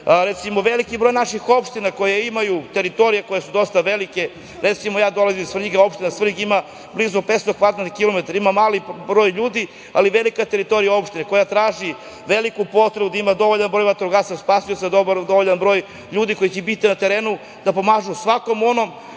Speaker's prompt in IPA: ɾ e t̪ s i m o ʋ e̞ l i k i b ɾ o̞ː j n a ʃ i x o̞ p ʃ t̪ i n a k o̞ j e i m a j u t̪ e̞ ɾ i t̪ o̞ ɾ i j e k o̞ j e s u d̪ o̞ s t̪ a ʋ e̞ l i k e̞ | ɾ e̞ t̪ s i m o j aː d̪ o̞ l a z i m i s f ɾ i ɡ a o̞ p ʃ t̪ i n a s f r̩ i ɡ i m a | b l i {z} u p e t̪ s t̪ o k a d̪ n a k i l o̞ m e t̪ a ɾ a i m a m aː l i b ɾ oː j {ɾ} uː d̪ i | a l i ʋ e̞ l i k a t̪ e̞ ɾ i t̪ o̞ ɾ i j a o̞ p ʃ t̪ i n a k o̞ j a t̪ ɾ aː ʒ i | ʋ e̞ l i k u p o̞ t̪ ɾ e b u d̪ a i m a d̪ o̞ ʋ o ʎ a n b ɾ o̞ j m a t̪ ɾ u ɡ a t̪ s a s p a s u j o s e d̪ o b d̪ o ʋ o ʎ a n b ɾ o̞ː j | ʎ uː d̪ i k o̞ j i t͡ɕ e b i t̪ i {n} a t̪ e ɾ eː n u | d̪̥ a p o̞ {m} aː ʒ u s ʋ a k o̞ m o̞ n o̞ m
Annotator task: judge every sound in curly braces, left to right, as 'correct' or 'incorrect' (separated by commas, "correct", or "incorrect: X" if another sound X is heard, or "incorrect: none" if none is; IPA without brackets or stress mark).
correct, incorrect: ʎ, correct, correct